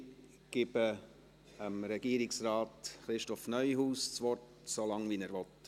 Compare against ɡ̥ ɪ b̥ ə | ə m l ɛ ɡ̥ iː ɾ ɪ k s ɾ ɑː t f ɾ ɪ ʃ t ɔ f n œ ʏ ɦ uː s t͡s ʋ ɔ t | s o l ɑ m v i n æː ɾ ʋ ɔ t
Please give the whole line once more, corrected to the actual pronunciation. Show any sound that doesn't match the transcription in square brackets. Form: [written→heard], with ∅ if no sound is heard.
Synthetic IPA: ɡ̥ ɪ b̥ ə | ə m [l→ɾ] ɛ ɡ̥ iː ɾ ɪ k s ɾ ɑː t [f→χ] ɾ ɪ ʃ t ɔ f n œ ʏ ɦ uː s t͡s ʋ ɔ t | s o l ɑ [m→ŋ] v i n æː ɾ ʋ ɔ t